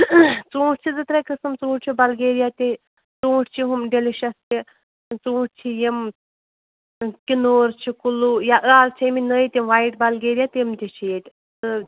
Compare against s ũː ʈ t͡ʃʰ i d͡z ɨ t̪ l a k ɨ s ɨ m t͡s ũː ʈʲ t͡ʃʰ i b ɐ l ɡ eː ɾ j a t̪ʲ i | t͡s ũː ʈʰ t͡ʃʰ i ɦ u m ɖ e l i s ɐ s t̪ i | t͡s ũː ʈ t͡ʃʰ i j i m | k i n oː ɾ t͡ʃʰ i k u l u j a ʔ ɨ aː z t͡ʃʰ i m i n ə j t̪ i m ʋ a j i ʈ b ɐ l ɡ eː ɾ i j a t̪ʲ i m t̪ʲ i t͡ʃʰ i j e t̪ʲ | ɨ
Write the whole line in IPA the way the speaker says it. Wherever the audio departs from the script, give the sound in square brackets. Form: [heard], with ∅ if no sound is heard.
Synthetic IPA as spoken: [t͡s] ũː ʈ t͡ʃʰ i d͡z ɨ t̪ [ɾ] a k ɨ s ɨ m t͡s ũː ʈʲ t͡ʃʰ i b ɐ l ɡ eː ɾ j a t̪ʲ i | t͡s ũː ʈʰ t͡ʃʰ i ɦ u m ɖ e l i [ʃ] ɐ s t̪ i | t͡s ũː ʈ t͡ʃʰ i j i m | k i n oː ɾ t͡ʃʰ i k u l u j a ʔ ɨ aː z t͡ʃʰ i m i n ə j t̪ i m ʋ a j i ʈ b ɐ l ɡ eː ɾ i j a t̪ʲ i m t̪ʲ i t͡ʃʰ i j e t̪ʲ | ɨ